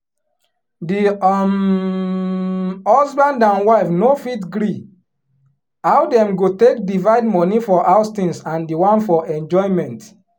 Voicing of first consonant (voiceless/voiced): voiced